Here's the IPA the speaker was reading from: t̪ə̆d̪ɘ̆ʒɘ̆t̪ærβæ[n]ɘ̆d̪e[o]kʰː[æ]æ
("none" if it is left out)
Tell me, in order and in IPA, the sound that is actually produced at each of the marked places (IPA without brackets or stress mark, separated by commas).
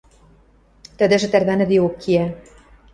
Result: n, o, i